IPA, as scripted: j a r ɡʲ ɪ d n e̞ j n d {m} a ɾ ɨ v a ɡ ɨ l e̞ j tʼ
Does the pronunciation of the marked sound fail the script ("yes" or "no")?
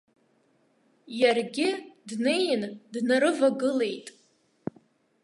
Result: yes